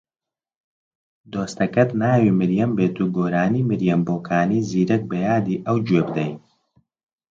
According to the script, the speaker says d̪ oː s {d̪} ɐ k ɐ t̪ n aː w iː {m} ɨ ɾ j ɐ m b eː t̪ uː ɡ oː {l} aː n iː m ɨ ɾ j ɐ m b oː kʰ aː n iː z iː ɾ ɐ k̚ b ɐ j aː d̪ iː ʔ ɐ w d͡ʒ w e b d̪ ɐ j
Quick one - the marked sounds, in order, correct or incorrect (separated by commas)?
incorrect, correct, incorrect